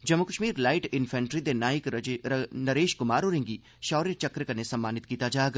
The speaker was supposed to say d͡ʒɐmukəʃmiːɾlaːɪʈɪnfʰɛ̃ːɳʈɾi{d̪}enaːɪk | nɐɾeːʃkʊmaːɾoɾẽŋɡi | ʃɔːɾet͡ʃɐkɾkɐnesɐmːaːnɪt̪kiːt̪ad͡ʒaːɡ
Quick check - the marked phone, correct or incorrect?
correct